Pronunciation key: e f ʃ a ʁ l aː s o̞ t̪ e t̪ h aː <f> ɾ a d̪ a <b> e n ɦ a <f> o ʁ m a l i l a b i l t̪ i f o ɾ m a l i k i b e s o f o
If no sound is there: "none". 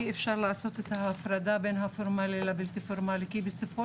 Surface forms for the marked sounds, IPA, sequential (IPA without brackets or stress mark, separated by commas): f, b, f